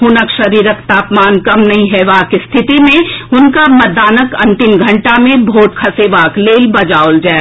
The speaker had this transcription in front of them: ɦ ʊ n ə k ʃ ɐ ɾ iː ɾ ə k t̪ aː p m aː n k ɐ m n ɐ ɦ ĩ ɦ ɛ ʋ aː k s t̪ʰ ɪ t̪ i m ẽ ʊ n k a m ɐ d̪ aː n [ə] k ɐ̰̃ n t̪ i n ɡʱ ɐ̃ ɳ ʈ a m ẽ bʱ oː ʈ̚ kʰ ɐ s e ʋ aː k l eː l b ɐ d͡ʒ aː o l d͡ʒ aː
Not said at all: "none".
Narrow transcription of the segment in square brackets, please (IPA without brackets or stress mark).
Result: ə